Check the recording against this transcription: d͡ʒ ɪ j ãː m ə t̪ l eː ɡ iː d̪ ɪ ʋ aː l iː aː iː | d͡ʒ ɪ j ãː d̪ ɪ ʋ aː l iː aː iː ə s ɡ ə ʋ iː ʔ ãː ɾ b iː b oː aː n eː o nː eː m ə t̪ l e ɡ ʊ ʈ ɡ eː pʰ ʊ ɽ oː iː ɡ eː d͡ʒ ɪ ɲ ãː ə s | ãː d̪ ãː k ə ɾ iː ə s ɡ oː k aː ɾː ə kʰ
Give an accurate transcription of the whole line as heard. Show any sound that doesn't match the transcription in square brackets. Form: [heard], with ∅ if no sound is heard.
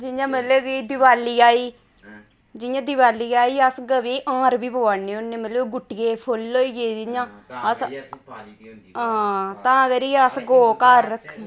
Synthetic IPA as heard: d͡ʒ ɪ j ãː m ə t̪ l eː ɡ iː d̪ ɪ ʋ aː l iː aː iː | d͡ʒ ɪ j ãː d̪ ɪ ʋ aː l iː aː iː ə s ɡ ə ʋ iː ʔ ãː ɾ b iː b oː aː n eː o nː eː m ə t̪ l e ɡ ʊ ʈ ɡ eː pʰ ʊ [l] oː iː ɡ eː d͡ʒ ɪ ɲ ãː ə s | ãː [t̪] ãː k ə ɾ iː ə s ɡ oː k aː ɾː ə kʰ